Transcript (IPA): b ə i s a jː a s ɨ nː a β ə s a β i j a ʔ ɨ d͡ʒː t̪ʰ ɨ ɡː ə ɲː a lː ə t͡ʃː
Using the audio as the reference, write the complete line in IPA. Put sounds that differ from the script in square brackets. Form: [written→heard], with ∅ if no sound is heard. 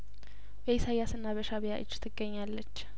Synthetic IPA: b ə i s a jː a s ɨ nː a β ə [s→ʃ] a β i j a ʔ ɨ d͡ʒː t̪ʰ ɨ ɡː ə ɲː a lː ə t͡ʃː